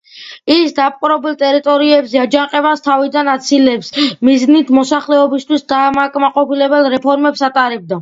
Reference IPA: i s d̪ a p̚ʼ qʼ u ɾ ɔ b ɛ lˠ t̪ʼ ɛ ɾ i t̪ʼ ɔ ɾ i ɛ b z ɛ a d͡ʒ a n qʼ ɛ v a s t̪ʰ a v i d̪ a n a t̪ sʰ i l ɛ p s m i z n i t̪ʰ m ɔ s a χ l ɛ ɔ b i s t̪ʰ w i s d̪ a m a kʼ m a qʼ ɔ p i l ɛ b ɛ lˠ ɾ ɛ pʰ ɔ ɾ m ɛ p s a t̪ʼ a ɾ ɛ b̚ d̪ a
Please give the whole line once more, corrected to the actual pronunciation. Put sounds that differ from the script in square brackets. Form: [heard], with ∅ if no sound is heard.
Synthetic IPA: i s d̪ a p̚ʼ qʼ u ɾ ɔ b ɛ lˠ t̪ʼ ɛ ɾ i t̪ʼ ɔ ɾ i ɛ b z ɛ a d͡ʒ a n qʼ ɛ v a s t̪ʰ a v i d̪ a n a t̪ sʰ i l ɛ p s m i z n i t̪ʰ m ɔ s a χ l ɛ ɔ b i s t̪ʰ w i s d̪ a m a kʼ m a qʼ ɔ p i l ɛ b ɛ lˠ ɾ ɛ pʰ ɔ ɾ m ɛ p s a t̪ʼ a ɾ ɛ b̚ d̪ a